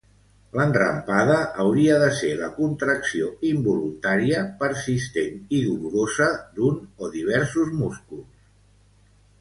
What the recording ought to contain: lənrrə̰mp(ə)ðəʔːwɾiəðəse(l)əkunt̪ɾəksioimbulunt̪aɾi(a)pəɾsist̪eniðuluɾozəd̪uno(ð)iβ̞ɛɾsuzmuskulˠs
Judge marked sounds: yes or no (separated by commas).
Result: no, yes, no, yes